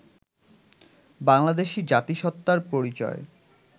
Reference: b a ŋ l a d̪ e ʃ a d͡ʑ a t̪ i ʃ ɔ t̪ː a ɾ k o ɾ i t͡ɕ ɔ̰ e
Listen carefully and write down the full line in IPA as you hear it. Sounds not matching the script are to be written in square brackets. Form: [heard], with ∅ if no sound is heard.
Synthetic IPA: b a ŋ l a d̪ e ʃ [i] d͡ʑ a t̪ i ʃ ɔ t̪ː a ɾ [p] o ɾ i t͡ɕ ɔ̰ e